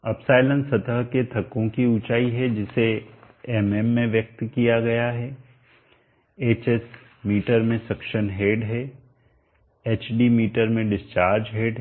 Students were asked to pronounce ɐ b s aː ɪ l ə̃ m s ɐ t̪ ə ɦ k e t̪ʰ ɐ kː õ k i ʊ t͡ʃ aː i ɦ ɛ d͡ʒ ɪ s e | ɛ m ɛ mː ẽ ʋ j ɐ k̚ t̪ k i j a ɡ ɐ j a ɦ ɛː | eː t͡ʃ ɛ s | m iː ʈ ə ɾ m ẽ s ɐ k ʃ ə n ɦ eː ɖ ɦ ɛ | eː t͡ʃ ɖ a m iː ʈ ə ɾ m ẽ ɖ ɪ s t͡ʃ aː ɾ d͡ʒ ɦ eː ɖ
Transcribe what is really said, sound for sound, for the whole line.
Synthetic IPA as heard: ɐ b s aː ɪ l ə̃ n s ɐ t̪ ə ɦ k e t̪ʰ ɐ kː õ k i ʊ t͡ʃ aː i ɦ ɛ d͡ʒ ɪ s e | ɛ m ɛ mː ẽ ʋ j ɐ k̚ t̪ k i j a ɡ ɐ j a ɦ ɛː | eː t͡ʃ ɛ s | m iː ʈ ə ɾ m ẽ s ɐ k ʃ ə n ɦ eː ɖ ɦ ɛ | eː t͡ʃ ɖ i m iː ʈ ə ɾ m ẽ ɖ ɪ s t͡ʃ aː ɾ d͡ʒ ɦ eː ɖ